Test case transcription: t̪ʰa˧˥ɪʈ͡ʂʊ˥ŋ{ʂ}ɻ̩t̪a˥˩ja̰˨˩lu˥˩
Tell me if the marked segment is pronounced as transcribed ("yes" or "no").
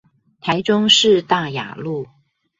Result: yes